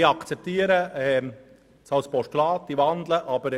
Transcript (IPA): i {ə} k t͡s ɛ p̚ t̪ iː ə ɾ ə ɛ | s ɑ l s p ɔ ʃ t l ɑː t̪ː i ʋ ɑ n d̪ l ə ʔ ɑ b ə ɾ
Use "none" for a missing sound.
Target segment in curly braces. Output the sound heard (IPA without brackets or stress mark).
ɑ